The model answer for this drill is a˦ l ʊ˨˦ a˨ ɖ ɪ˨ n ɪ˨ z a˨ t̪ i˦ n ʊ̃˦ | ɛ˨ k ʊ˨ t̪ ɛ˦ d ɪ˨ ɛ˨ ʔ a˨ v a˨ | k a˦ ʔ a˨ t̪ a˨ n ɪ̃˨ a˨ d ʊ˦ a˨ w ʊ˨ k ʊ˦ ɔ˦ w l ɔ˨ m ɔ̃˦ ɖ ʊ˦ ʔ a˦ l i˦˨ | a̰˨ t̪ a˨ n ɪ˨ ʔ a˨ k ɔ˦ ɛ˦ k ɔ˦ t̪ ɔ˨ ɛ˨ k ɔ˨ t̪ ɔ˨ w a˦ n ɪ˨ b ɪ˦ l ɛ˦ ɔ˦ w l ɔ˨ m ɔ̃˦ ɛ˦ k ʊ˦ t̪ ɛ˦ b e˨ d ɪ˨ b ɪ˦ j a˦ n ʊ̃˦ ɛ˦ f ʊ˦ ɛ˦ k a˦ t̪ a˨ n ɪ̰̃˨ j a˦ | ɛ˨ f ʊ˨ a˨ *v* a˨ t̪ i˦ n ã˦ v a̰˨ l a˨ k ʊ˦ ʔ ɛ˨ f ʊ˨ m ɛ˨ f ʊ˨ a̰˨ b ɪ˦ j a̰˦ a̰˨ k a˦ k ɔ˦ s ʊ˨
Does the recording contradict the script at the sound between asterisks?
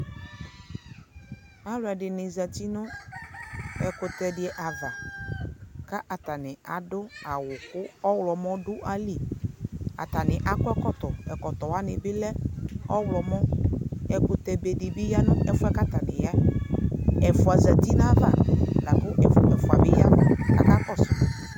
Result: yes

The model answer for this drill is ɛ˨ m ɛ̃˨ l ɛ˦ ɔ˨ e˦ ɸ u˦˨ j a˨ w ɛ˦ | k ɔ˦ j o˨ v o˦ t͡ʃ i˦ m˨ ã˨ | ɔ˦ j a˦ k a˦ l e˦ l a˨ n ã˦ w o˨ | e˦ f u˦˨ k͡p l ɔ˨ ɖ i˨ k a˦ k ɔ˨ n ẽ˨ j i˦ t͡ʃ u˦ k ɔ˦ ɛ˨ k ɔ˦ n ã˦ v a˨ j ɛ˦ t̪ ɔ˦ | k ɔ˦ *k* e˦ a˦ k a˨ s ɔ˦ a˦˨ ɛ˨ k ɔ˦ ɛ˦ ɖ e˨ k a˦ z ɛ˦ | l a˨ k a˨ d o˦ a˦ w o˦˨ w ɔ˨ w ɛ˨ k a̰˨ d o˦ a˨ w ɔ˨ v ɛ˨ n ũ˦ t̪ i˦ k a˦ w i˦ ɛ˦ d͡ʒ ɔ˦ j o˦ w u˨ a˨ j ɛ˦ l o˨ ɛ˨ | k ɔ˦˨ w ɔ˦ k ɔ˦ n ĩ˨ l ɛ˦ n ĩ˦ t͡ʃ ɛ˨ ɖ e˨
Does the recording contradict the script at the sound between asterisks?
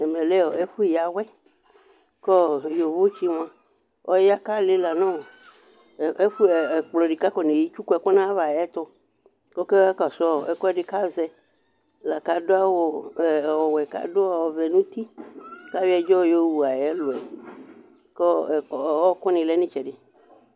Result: no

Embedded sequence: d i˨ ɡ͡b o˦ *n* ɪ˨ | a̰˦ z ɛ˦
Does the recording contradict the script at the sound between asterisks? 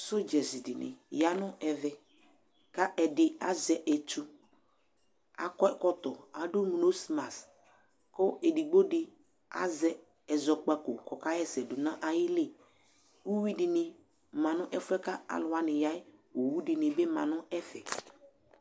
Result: yes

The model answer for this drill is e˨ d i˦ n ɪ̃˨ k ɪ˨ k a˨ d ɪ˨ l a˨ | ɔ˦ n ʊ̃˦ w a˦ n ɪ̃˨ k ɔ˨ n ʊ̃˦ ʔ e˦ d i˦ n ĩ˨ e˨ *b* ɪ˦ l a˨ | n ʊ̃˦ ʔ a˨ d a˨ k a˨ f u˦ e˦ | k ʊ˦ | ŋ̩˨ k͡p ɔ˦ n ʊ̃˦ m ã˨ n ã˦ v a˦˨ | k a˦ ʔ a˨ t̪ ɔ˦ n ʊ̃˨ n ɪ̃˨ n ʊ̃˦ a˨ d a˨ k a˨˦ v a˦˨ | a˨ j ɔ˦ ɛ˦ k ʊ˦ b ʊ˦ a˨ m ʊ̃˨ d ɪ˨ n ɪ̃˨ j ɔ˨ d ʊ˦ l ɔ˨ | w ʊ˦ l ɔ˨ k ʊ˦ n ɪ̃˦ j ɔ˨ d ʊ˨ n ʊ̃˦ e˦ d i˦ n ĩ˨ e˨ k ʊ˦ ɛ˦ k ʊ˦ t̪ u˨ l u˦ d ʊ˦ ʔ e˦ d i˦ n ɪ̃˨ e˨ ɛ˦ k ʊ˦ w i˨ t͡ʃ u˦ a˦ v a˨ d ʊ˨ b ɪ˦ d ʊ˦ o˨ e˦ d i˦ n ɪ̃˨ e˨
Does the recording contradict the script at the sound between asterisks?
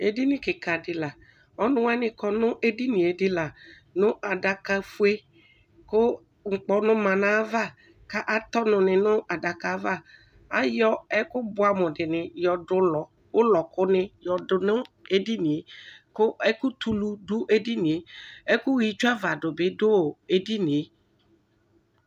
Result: yes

